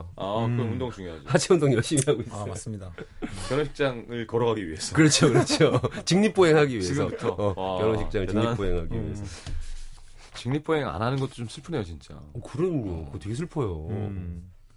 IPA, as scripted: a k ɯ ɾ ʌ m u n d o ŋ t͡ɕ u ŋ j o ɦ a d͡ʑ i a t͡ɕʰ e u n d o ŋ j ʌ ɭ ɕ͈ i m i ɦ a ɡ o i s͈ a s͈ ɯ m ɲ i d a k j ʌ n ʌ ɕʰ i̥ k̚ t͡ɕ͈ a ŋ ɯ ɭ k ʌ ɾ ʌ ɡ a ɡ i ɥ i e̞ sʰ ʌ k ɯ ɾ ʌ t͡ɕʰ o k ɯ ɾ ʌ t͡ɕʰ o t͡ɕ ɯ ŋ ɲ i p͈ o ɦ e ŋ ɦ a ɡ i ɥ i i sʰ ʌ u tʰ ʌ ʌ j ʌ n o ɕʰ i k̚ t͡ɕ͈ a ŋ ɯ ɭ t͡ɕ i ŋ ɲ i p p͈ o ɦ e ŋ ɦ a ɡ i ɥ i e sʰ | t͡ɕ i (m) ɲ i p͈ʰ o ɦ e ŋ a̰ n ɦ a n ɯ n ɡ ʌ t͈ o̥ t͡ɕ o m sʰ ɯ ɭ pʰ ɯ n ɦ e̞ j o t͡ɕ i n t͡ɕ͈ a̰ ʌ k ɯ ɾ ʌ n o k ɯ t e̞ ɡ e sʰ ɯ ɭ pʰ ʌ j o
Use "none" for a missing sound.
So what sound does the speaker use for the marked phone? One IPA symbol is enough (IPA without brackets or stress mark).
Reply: ŋ